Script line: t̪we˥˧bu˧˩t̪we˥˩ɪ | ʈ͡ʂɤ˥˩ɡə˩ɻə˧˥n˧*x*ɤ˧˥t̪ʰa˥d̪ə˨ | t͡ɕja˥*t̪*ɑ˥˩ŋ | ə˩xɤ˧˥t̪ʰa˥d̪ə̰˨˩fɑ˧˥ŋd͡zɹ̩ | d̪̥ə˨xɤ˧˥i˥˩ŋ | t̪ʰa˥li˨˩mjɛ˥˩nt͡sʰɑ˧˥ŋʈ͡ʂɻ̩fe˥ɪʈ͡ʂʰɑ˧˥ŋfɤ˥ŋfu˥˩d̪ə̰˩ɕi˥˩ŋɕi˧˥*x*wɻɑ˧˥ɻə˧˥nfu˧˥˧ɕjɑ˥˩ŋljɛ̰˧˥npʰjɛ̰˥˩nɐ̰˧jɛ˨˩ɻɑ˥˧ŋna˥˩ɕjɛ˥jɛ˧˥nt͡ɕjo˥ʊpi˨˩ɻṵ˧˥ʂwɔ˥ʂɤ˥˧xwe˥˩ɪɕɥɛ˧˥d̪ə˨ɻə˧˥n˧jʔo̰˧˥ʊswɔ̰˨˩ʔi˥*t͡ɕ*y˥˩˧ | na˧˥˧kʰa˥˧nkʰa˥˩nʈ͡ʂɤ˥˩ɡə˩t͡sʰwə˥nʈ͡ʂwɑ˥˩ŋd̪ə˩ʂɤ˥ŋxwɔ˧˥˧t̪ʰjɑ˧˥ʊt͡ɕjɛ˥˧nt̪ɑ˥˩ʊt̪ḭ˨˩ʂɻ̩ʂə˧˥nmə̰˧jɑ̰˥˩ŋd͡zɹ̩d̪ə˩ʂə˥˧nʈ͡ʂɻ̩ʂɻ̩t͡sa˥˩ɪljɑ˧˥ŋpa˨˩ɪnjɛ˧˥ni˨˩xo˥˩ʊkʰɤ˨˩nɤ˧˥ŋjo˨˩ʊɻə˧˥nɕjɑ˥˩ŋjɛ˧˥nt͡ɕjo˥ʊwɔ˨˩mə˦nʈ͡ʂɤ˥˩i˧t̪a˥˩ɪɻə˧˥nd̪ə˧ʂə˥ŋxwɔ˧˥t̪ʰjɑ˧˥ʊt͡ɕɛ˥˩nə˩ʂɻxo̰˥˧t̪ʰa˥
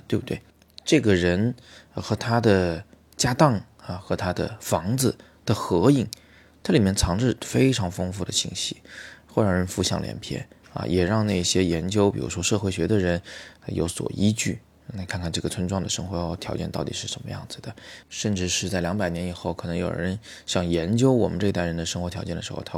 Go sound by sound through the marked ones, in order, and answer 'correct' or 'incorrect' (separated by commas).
correct, correct, correct, correct